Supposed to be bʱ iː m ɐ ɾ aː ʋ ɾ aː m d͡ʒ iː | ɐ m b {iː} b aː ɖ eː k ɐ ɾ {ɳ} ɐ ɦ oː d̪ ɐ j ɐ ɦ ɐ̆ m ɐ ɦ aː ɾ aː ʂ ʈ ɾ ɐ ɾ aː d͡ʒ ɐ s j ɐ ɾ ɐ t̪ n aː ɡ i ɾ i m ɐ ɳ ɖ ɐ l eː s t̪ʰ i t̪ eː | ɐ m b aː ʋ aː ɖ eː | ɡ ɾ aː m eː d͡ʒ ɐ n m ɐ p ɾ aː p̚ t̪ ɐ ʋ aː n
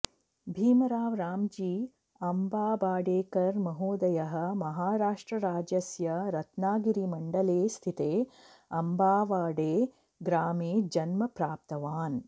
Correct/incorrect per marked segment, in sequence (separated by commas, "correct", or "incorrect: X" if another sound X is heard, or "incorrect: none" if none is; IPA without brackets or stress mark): incorrect: aː, incorrect: m